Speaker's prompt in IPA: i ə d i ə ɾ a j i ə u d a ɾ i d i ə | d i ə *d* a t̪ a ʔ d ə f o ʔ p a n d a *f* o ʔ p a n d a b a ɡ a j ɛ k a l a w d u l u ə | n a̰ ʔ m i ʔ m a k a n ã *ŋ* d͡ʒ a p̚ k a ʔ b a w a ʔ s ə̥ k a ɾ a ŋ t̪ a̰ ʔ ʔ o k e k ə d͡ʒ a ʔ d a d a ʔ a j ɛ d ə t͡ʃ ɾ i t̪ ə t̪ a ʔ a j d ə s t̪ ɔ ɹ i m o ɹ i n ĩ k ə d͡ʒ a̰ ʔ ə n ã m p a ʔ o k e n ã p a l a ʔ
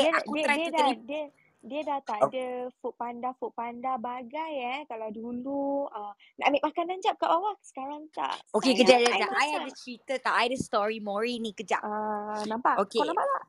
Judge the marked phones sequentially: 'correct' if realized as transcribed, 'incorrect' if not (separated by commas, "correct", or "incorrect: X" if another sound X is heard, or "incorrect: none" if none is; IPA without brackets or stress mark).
correct, correct, incorrect: ɲ